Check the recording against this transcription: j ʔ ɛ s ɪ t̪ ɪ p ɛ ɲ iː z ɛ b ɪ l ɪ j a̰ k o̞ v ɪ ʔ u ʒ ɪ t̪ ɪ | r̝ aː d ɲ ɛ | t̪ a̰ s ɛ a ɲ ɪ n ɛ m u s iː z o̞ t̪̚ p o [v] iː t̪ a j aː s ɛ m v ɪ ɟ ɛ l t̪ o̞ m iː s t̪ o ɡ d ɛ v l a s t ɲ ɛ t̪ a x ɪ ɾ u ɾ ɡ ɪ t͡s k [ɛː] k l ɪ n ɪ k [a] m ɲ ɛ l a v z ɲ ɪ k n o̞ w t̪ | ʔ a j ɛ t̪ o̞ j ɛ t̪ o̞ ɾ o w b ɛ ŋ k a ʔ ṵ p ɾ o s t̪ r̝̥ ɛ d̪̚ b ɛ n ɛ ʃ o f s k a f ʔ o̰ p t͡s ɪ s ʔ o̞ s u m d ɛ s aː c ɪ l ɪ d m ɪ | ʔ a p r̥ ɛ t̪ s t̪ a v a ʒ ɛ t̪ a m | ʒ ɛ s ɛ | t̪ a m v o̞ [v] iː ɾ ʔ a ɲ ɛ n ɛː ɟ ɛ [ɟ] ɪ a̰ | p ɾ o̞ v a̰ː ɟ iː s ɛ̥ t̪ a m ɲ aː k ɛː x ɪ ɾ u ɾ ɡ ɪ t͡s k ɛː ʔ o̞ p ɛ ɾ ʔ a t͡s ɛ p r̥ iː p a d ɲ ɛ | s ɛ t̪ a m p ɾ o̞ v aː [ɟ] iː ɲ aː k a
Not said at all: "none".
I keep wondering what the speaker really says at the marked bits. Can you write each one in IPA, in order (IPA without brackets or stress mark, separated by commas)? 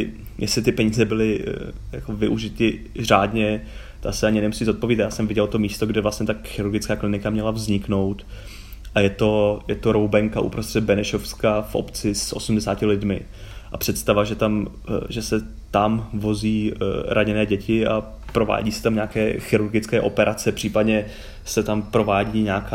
v, aː, a, z, c, ɟ